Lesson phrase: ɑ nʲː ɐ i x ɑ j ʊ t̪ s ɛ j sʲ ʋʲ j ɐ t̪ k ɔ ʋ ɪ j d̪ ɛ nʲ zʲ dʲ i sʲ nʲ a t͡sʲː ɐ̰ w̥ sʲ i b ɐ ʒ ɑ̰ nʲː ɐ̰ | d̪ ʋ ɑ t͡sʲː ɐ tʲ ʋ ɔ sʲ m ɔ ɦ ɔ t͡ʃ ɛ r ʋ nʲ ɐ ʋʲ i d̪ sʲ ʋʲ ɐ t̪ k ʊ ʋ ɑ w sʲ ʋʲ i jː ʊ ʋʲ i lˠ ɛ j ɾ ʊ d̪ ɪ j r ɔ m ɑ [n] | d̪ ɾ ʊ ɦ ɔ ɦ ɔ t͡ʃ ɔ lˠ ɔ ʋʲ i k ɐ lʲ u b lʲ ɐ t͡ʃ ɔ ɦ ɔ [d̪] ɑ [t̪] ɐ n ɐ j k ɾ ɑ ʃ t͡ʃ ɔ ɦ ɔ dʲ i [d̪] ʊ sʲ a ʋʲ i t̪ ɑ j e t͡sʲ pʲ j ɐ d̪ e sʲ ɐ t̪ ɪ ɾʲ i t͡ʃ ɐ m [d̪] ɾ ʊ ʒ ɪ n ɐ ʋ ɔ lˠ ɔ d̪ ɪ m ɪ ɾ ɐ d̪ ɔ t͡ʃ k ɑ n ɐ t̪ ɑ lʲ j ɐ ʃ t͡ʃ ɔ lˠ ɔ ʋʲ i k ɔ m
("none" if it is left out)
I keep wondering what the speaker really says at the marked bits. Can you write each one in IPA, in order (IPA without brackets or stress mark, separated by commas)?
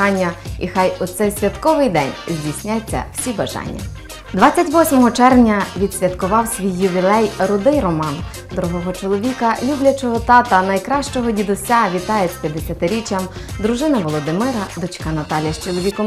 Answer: n, t̪, t̪, d̪, d̪